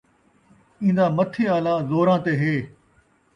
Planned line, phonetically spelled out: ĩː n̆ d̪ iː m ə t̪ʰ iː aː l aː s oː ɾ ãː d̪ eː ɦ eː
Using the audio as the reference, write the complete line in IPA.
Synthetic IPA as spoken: ĩː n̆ d̪ aː m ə t̪ʰ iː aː l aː z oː ɾ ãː t̪ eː ɦ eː

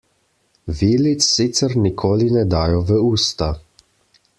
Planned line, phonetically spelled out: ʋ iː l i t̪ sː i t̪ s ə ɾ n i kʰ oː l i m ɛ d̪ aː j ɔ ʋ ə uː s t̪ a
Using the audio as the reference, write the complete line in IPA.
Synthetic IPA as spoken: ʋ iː l i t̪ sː i t̪ s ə ɾ n i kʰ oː l i n ɛ d̪ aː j ɔ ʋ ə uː s t̪ a

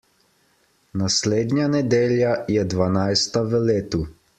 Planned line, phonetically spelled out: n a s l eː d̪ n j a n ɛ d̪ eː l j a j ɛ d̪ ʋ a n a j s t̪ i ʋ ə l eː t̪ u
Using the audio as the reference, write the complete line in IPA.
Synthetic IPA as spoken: n a s l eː d̪ n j a n ɛ d̪ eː l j a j ɛ d̪ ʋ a n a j s t̪ a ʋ ə l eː t̪ u

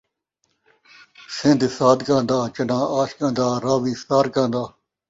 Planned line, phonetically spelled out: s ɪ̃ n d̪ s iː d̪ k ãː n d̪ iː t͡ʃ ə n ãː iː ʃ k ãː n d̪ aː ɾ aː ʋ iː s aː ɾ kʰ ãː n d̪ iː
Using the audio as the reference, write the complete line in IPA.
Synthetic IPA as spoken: s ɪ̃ n d̪ s aː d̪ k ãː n d̪ aː t͡ʃ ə n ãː aː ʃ k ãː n d̪ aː ɾ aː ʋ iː s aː ɾ k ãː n d̪ aː

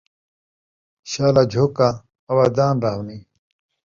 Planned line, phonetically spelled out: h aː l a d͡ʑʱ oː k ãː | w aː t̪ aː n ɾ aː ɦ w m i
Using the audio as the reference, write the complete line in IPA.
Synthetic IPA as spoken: ɕ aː l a d͡ʑʱ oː k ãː | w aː d̪ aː n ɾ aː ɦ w n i

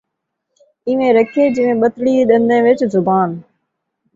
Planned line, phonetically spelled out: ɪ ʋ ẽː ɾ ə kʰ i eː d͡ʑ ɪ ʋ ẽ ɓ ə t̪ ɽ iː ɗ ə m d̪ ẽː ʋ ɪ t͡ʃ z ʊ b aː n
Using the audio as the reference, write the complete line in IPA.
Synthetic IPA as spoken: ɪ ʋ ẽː ɾ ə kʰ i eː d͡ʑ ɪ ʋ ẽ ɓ ə t̪ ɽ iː ɗ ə n d̪ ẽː ʋ ɪ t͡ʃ z ʊ b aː n

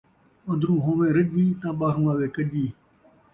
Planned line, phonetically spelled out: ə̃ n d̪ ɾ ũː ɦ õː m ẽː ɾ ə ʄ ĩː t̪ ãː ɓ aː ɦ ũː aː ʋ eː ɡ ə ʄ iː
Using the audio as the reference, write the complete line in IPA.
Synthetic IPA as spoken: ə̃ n d̪ ɾ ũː ɦ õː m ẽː ɾ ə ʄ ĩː t̪ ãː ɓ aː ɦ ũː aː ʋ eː k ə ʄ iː

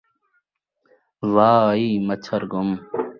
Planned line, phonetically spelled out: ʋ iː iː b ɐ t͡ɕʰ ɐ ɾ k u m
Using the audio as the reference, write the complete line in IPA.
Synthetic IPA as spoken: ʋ aː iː m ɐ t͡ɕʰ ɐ ɾ ɡ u m

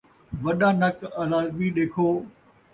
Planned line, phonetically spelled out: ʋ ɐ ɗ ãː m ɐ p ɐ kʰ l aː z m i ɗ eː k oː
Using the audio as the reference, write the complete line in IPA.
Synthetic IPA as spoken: ʋ ɐ ɗ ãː n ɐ k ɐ l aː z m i ɗ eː kʰ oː

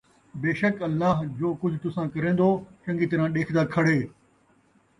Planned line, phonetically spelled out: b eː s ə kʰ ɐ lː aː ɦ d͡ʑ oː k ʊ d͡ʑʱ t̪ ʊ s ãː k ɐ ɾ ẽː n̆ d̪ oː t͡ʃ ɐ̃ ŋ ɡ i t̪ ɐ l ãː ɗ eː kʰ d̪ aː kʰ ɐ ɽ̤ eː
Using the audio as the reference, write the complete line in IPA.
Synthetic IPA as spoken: b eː ʃ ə k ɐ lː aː ɦ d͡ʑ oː k ʊ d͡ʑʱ t̪ ʊ s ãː k ɐ ɾ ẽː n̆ d̪ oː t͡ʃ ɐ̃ ŋ ɡ i t̪ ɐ ɾ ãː ɗ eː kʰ d̪ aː kʰ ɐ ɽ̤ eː

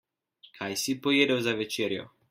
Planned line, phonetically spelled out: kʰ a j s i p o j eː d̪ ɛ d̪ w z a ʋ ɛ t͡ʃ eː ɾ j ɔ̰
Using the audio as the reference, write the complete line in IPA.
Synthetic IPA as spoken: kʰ a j s i p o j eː d̪ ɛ w z a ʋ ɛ t͡ʃ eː ɾ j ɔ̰

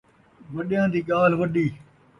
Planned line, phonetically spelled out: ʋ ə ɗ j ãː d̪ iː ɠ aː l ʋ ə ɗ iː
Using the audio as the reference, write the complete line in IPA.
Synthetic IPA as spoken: ʋ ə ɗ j ãː d̪ iː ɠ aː l ʋ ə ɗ iː

